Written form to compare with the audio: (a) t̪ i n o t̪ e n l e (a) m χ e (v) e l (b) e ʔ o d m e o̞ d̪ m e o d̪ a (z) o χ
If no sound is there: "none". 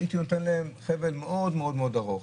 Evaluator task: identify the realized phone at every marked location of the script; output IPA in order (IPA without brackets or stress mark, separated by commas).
i, e, v, m, ʁ